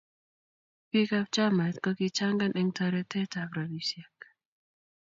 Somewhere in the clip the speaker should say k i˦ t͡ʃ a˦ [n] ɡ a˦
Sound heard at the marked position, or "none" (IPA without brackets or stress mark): ŋ